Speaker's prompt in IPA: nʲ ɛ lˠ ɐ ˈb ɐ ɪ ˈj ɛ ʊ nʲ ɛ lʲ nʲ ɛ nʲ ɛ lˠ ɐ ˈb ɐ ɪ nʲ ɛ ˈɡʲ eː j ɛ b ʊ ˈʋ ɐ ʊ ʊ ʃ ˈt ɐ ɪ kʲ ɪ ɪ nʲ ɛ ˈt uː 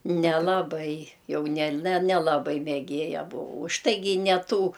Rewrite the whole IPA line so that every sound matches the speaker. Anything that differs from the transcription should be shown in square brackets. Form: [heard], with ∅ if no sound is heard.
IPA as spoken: nʲ ɛ lˠ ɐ ˈb ɐ ɪ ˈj ɛ ʊ nʲ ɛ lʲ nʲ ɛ nʲ ɛ lˠ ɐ ˈb ɐ ɪ [mʲ] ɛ ˈɡʲ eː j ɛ b ʊ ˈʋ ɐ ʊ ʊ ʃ ˈt ɐ ɪ [ɡʲ] ɪ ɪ nʲ ɛ ˈt uː